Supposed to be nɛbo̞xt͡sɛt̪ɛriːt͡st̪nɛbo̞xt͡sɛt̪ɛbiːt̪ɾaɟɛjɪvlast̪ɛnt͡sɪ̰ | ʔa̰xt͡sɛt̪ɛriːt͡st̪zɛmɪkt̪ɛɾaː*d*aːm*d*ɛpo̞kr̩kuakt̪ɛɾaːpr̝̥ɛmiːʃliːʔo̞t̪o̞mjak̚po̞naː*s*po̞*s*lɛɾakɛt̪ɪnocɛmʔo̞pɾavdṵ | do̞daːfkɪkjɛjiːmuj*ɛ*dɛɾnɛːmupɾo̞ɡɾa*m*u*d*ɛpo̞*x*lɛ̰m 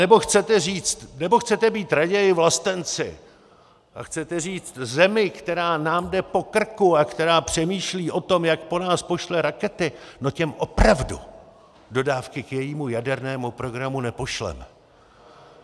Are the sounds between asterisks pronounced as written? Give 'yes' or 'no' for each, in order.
no, yes, yes, no, no, yes, no, no

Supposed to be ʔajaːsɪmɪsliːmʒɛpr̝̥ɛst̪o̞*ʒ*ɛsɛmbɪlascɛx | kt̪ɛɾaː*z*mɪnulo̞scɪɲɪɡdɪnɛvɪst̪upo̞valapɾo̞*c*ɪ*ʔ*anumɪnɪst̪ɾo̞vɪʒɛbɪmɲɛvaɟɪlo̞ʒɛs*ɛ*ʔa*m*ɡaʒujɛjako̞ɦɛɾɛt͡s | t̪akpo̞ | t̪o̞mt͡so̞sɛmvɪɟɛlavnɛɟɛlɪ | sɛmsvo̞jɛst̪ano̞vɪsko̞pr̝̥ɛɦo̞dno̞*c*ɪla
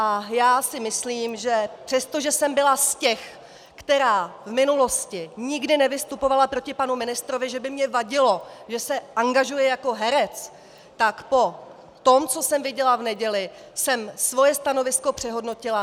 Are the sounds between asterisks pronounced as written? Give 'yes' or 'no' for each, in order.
yes, no, yes, no, yes, no, yes

